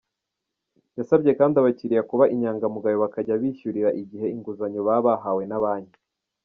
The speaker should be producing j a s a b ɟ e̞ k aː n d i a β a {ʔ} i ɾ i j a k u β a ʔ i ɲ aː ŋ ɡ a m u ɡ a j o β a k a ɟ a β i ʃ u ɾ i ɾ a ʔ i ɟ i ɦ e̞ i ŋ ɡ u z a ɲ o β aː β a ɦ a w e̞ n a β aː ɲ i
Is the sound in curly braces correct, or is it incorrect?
incorrect: c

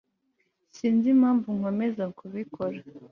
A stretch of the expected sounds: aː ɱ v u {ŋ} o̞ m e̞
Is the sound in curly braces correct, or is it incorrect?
correct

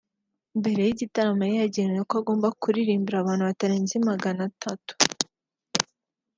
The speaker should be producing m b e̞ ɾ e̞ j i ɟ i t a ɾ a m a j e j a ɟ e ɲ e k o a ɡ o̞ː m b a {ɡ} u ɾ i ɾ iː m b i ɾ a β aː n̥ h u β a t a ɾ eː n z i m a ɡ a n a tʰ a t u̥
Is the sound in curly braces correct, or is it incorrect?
incorrect: k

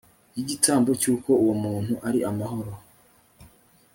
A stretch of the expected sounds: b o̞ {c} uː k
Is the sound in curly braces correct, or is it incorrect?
correct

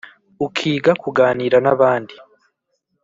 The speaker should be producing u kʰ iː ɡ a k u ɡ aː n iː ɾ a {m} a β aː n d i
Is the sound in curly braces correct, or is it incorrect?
incorrect: n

